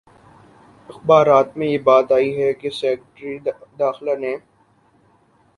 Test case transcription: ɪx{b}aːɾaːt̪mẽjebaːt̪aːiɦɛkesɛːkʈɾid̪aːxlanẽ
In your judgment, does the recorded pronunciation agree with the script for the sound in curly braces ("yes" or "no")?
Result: yes